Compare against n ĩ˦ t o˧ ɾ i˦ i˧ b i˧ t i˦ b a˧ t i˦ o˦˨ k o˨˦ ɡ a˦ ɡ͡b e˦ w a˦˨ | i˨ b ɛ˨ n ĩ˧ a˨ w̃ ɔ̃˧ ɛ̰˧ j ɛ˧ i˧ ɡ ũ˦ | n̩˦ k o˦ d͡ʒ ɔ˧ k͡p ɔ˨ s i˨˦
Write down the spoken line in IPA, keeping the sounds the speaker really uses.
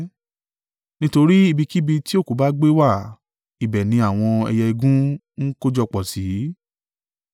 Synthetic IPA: n ĩ˦ t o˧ ɾ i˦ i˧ b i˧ k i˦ b i˧ t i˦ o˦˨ k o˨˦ b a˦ ɡ͡b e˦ w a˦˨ | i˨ b ɛ˨ n ĩ˧ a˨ w̃ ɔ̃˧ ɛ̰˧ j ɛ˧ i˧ ɡ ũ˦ | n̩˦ k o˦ d͡ʒ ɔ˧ k͡p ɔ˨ s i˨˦